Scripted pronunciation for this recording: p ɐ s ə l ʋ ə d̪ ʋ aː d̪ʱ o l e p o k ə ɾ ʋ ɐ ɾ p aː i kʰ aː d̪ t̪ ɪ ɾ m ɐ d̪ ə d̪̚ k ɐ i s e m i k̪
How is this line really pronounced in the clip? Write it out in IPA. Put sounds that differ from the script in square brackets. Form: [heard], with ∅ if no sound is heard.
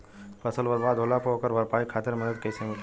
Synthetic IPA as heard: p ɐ s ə l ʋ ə d̪ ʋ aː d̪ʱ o l [a] p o k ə ɾ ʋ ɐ ɾ p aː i kʰ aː [∅] t̪ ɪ ɾ m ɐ d̪ ə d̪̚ k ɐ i s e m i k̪